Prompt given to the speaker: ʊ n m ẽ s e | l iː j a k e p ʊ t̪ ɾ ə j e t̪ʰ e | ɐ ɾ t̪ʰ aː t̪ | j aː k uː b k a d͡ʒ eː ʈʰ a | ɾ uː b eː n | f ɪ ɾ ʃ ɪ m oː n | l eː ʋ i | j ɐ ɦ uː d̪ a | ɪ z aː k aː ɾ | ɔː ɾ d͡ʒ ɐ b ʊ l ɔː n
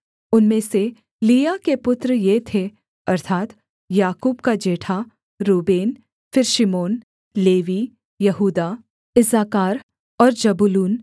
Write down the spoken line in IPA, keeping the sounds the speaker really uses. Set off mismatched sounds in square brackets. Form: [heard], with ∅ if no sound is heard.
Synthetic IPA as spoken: ʊ n m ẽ s e | l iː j a k e p ʊ t̪ ɾ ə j e t̪ʰ e | ɐ ɾ t̪ʰ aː t̪ | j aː k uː b k a d͡ʒ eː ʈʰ a | ɾ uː b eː n | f ɪ ɾ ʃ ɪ m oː n | l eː ʋ i | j ɐ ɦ uː d̪ a | ɪ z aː k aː ɾ | ɔː ɾ d͡ʒ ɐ b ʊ l [uː] n